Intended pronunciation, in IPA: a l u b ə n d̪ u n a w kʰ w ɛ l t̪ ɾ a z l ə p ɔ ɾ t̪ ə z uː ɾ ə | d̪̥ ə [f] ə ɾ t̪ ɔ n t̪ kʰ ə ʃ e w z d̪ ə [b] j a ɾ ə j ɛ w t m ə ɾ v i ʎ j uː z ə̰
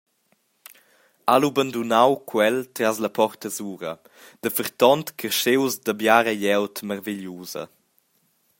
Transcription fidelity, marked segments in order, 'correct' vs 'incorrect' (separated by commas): correct, correct